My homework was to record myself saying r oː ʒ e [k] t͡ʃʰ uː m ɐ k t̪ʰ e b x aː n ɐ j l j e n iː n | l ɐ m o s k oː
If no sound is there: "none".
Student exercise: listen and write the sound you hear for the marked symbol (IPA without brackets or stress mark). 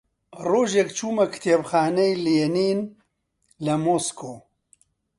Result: k